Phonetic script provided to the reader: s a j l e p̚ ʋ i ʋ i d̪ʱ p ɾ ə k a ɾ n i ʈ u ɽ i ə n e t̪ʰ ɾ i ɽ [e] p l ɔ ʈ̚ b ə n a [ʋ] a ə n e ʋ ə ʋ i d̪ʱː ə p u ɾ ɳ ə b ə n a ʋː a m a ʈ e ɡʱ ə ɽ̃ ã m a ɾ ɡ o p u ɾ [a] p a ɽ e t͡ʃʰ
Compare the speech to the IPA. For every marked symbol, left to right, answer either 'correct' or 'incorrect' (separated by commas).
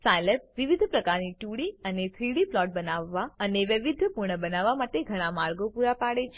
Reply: incorrect, incorrect, correct